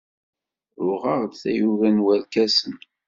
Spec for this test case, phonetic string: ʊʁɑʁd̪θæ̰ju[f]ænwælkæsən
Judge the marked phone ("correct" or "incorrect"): incorrect